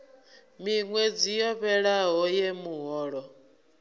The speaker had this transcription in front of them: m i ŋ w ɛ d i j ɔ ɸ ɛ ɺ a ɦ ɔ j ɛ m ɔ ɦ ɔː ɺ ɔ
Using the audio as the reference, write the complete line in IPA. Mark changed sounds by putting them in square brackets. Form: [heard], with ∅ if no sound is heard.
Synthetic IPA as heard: m i ŋ w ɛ [d͡z] i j ɔ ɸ ɛ ɺ a ɦ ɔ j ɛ m [u] ɦ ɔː ɺ ɔ